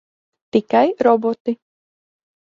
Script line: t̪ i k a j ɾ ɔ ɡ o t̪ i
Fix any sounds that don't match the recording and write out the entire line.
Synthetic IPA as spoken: t̪ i k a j ɾ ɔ b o t̪ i

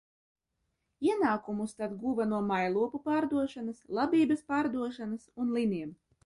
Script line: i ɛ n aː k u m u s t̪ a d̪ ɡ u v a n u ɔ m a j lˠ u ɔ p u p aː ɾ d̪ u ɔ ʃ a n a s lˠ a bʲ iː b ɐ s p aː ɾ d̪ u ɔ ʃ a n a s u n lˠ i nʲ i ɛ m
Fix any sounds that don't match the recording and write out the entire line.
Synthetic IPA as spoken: i ɛ n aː k u m u s t̪ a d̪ ɡ u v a n u ɔ m a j lˠ u ɔ p u p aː ɾ d̪ u ɔ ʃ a n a s lˠ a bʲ iː b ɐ s p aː ɾ d̪ u ɔ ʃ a n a s u n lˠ i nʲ i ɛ m

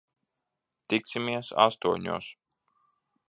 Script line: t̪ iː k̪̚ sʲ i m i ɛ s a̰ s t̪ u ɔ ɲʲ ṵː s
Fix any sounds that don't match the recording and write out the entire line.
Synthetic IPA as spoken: t̪ i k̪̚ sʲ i m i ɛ s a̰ s t̪ u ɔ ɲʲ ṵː s

